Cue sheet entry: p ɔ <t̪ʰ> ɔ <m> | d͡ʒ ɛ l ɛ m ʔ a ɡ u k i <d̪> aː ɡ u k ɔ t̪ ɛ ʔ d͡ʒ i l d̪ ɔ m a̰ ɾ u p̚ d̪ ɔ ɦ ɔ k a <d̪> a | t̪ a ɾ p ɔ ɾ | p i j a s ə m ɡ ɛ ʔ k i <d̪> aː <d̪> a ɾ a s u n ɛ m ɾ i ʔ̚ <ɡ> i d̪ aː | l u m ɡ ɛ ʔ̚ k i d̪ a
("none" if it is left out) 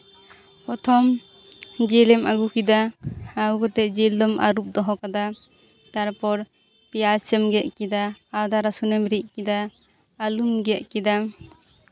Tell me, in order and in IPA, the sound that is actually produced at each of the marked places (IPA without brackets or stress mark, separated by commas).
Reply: t̪ʰ, m, d̪, d̪, d̪, d̪, k